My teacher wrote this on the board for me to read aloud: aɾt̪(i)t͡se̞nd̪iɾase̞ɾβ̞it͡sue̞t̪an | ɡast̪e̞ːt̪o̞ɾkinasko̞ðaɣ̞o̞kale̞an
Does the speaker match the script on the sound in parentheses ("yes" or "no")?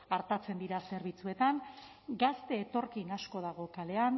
no